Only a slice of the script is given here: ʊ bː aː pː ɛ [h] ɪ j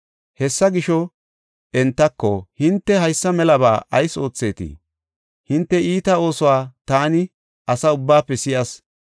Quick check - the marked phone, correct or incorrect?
incorrect: s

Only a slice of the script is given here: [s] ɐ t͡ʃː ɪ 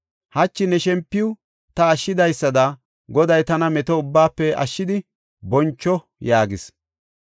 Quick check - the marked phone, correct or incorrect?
incorrect: h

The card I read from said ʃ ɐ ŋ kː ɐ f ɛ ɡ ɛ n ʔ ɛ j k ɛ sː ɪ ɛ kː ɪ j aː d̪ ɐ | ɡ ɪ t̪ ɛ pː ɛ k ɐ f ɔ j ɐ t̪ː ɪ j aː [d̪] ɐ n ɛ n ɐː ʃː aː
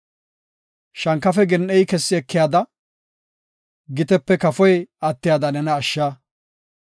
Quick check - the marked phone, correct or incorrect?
correct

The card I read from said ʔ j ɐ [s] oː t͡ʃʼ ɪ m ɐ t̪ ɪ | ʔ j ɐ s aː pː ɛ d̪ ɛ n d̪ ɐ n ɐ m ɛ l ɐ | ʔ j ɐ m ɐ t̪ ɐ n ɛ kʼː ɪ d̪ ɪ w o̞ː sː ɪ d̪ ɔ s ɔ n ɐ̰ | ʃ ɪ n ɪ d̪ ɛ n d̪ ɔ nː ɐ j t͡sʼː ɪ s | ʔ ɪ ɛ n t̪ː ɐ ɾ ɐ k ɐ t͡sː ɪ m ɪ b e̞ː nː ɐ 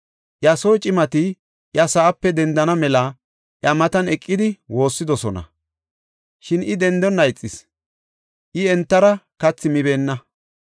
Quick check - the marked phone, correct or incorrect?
correct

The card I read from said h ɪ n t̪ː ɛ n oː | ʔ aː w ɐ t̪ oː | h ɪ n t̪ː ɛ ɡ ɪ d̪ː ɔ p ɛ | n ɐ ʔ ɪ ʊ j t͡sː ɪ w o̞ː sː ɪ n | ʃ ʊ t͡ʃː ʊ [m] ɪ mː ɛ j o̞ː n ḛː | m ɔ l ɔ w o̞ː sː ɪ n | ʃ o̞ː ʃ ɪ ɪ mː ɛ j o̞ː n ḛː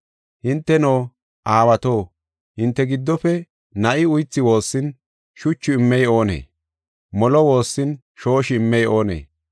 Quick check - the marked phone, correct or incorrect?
incorrect: none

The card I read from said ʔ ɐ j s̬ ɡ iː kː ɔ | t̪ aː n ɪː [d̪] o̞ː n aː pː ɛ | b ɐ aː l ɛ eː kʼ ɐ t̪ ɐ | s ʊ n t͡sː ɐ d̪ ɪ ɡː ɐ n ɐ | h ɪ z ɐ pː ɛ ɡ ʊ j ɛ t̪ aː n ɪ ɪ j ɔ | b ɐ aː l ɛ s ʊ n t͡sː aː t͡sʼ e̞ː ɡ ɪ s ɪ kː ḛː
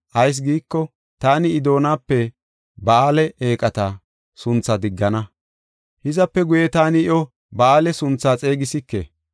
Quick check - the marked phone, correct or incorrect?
correct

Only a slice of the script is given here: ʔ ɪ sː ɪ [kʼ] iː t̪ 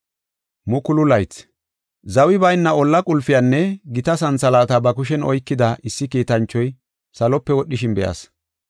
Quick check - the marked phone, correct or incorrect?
incorrect: k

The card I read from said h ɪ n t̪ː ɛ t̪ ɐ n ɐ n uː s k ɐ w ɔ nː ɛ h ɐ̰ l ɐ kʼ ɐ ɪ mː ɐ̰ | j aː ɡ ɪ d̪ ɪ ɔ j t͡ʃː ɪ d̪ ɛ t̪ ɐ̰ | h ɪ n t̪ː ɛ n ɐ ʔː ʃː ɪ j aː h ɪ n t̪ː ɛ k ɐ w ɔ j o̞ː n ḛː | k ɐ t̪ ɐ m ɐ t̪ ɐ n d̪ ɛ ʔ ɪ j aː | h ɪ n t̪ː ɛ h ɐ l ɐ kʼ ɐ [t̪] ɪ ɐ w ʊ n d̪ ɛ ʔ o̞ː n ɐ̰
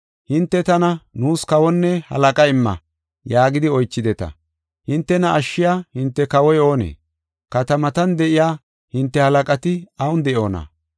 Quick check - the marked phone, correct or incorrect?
correct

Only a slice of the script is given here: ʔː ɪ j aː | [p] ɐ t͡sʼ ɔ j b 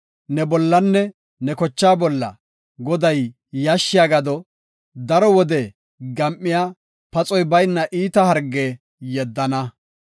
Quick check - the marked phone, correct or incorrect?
correct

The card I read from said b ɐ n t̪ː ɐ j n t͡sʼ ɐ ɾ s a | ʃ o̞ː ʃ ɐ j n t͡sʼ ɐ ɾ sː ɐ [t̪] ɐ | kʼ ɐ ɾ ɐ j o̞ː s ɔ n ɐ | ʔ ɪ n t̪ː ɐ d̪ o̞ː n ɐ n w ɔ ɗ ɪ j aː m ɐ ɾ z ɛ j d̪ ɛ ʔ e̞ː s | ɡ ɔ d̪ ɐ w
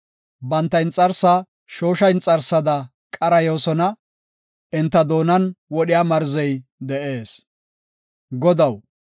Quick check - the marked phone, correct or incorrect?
incorrect: d̪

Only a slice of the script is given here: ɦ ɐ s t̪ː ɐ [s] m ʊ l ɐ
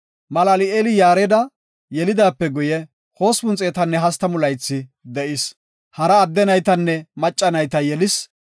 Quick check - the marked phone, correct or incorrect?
incorrect: none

